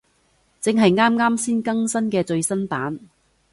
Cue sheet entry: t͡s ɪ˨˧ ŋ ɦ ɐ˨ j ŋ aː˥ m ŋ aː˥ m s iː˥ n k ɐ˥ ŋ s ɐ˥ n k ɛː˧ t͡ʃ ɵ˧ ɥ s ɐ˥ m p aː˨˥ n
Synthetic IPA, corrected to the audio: t͡s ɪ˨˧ ŋ ɦ ɐ˨ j ŋ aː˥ m ŋ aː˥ m s iː˥ n k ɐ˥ ŋ s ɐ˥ n k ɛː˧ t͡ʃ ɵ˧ ɥ s ɐ˥ n p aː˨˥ n